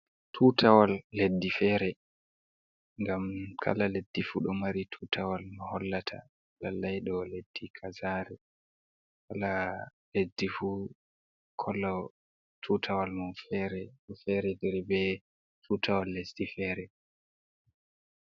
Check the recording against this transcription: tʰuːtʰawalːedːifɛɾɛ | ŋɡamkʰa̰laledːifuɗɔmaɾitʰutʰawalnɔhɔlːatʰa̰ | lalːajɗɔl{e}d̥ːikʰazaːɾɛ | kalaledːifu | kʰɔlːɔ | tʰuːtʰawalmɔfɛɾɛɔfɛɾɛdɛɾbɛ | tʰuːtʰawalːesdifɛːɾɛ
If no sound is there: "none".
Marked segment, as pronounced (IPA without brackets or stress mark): e